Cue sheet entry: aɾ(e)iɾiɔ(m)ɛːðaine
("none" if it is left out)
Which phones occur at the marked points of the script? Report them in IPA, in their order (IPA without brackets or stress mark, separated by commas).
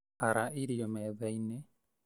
a, m